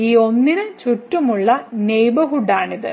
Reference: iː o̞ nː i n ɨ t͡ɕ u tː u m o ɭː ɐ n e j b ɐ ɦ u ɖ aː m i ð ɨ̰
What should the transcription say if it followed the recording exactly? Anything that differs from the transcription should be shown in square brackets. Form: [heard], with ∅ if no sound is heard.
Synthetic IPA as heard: iː o̞ nː i n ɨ t͡ɕ u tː u m [u] ɭː ɐ n e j b ɐ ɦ u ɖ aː [ɳ] i ð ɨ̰